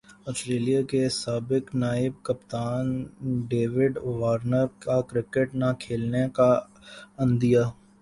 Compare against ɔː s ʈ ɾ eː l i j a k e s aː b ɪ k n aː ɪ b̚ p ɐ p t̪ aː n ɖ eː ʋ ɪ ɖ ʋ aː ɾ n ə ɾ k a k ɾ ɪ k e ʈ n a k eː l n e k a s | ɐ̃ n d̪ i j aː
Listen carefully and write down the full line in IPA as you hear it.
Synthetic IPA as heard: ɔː s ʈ ɾ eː l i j a k e s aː b ɪ k n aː ɪ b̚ k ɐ p t̪ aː n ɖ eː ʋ ɪ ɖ ʋ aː ɾ n ə ɾ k a k ɾ ɪ k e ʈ n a kʰ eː l n e k a | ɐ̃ n d̪ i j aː